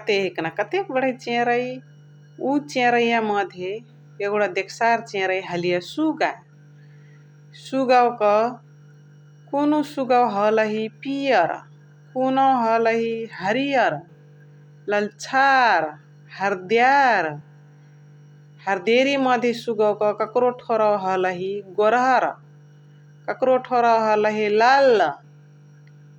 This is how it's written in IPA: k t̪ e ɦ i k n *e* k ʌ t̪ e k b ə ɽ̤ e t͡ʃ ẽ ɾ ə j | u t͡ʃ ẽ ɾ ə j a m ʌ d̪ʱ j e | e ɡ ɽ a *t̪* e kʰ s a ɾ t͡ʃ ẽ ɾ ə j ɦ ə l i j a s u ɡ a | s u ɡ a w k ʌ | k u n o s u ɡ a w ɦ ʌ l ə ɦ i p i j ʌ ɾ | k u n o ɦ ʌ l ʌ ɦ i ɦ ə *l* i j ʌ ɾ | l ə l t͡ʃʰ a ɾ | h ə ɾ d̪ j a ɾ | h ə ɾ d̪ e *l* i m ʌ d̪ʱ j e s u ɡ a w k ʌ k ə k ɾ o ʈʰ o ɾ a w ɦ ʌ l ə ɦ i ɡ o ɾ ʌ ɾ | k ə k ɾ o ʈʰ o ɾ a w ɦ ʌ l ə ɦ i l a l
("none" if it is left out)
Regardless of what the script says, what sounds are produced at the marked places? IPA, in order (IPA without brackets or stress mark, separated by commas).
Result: a, d̪, ɾ, ɾ